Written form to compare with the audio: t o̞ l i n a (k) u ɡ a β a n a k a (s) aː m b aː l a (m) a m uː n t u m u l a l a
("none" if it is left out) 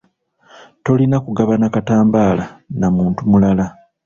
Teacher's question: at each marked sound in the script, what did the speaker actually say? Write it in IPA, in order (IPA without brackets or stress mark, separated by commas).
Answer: k, t, n